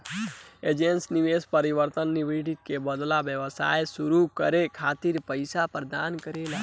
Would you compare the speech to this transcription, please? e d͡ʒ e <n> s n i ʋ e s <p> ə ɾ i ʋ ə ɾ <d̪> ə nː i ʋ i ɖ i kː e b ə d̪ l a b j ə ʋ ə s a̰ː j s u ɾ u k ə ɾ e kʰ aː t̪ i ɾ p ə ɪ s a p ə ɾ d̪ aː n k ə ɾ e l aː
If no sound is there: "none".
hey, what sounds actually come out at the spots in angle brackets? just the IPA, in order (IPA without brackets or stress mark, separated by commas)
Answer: n, p, t̪